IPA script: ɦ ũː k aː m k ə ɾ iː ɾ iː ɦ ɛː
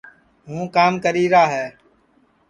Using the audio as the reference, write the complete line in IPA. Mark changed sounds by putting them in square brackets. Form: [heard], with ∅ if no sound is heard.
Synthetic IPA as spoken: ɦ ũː k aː m k ə ɾ iː ɾ [aː] ɦ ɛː